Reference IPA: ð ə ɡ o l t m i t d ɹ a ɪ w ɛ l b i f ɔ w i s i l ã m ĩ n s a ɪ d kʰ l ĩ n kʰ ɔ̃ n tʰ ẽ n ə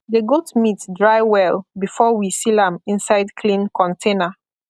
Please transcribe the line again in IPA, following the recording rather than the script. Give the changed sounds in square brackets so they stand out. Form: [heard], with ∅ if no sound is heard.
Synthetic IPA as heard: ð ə ɡ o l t m i t d ɹ a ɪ w ɛ l b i f ɔ w i s i l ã m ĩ n s a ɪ d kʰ l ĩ n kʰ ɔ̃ n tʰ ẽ n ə